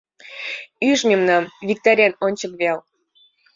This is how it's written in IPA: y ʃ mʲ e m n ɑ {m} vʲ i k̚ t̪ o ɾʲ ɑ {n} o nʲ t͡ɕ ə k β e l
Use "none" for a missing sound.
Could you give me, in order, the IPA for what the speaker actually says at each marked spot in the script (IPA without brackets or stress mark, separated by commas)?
m, n